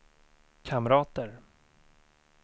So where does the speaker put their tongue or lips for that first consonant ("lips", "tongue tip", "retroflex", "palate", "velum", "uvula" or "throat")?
velum